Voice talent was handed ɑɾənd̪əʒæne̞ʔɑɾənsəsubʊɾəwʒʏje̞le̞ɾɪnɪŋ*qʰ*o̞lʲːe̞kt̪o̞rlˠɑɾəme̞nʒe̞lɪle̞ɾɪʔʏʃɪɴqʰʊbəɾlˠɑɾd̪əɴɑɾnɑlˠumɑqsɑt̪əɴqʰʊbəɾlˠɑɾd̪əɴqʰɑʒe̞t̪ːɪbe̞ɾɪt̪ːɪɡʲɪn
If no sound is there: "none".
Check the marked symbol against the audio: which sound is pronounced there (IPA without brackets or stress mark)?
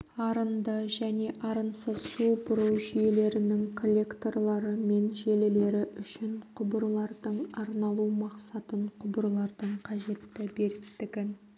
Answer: kʰ